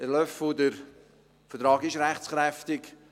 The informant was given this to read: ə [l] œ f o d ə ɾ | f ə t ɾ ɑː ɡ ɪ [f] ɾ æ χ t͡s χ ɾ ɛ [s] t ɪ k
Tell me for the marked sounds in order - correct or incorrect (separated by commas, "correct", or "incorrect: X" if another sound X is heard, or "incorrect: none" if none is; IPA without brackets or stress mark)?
correct, incorrect: ʃ, incorrect: f